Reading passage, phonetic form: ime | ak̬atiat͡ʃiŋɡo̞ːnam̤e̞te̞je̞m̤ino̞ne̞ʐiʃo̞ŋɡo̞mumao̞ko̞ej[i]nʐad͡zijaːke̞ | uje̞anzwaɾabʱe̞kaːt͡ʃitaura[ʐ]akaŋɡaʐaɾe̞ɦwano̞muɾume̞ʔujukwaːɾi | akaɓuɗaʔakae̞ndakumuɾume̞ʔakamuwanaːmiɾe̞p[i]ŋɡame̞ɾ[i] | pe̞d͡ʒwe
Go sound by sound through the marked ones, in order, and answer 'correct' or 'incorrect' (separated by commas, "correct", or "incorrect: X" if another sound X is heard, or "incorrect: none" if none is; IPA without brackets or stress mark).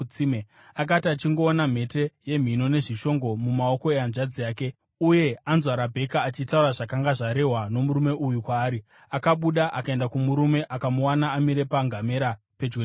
incorrect: a, correct, incorrect: a, incorrect: a